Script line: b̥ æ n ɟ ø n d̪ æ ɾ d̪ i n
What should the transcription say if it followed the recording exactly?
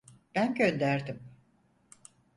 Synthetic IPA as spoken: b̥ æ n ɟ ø n d̪ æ ɾ d̪ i m